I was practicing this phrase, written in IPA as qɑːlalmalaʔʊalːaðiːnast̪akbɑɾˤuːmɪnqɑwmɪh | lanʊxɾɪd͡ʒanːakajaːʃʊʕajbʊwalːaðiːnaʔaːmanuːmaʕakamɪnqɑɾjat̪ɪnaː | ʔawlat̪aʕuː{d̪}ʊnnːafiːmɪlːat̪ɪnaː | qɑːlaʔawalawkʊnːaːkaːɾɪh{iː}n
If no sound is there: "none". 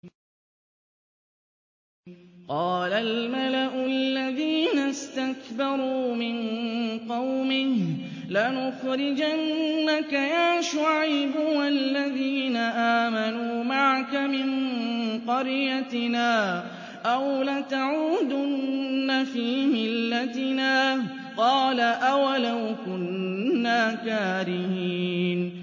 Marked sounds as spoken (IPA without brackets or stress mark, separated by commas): d̪, iː